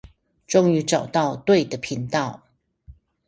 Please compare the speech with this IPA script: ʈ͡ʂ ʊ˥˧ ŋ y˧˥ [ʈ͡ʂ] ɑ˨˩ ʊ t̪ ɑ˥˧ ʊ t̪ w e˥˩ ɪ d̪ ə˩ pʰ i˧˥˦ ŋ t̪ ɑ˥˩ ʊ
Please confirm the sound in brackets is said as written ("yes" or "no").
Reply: yes